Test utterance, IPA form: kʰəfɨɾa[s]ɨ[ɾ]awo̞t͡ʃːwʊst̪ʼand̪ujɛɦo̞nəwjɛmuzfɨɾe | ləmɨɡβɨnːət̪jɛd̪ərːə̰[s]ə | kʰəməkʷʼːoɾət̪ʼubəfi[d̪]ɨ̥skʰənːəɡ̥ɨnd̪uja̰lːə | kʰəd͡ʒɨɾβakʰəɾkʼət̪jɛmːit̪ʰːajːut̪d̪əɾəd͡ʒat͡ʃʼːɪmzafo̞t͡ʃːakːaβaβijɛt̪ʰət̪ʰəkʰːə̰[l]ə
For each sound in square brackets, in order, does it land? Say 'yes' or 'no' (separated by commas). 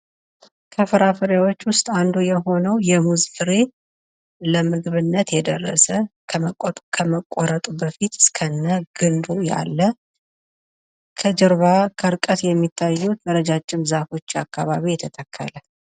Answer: no, yes, yes, no, yes